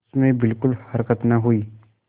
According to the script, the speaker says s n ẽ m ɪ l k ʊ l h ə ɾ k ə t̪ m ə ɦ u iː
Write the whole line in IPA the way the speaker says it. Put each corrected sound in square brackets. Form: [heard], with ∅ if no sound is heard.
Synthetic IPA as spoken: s [m] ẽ [b] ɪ l k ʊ l h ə ɾ k ə t̪ [n] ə ɦ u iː